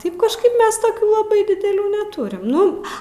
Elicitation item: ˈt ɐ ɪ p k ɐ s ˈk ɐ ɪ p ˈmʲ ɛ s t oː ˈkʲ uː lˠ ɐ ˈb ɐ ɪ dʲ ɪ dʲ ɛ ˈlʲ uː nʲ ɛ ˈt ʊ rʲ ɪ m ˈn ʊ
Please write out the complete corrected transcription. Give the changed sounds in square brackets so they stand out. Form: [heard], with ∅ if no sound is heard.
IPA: ˈt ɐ ɪ p k ɐ [ʃ] ˈk ɐ ɪ p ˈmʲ ɛ s t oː ˈkʲ uː lˠ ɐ ˈb ɐ ɪ dʲ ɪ dʲ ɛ ˈlʲ uː nʲ ɛ ˈt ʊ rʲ ɪ m ˈn ʊ